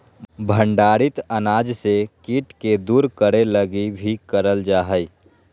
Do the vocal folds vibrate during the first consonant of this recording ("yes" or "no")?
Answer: yes